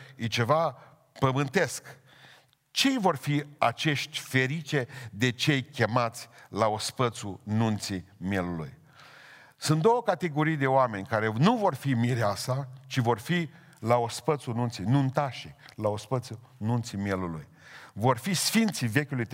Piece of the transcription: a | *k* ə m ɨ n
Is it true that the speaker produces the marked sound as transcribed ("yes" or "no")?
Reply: no